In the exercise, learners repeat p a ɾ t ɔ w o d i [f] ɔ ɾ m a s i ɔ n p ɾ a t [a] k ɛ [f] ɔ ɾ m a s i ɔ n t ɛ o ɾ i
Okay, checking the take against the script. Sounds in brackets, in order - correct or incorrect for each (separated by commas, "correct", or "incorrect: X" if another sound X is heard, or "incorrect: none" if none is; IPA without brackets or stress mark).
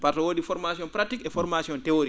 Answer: correct, incorrect: i, correct